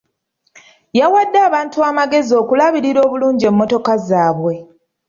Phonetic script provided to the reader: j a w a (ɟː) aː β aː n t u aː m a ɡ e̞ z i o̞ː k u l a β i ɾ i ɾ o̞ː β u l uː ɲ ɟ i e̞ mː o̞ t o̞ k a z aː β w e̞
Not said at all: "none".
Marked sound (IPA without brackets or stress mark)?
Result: dː